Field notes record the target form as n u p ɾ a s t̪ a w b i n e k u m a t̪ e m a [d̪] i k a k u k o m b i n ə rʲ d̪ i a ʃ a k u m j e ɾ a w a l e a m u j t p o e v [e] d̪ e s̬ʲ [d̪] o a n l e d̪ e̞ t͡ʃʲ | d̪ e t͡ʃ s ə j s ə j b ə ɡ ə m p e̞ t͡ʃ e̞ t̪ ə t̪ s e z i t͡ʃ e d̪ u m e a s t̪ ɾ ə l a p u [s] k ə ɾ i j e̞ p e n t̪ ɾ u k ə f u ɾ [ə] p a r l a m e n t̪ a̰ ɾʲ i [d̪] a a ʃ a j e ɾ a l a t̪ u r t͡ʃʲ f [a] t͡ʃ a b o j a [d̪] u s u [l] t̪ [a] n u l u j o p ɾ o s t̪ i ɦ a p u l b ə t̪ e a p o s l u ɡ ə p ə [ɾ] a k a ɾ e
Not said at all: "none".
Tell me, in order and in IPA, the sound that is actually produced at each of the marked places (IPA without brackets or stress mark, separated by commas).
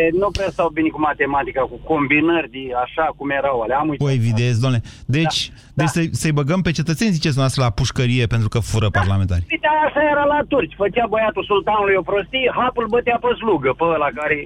t̪, i, d̪, ʃ, ə, t̪, ə, t̪, l, a, l